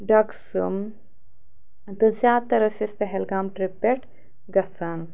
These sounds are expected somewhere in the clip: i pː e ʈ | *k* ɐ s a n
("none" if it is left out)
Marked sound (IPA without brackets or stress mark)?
ɡ